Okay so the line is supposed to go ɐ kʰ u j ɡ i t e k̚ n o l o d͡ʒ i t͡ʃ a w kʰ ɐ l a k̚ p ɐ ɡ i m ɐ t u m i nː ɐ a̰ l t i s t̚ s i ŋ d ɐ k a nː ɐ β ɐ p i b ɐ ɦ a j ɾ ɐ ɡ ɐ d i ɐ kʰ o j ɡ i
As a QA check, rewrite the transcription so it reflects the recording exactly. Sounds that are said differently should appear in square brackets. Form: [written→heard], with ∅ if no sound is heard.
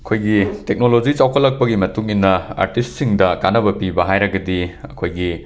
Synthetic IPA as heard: ɐ kʰ [u→o] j ɡ i t e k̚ n o l o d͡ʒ i t͡ʃ a w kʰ ɐ l [a→ɐ] k̚ p ɐ ɡ i m ɐ t u [m→ŋ] i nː ɐ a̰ [l→ɾ] t i s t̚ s i ŋ d ɐ k a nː ɐ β ɐ p i b ɐ ɦ a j ɾ ɐ ɡ ɐ d i ɐ kʰ o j ɡ i